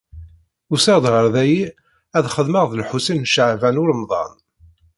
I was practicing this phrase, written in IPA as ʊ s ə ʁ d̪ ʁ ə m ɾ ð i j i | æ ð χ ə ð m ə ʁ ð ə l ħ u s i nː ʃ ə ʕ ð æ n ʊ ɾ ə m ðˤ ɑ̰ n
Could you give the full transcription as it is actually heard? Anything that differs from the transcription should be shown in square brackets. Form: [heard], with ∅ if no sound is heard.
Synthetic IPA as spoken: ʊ s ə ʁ d̪ ʁ ə [∅] ɾ ð [æ] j i | æ ð χ ə ð m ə ʁ ð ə l ħ u s i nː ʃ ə ʕ [v] æ n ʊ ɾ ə m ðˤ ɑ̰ n